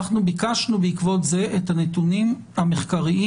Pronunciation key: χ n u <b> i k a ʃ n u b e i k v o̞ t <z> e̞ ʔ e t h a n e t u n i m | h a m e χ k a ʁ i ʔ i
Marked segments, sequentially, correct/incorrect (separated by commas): correct, correct